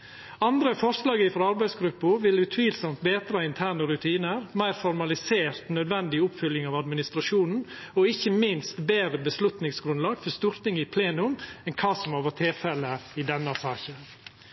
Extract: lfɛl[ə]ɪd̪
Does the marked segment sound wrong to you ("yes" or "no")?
no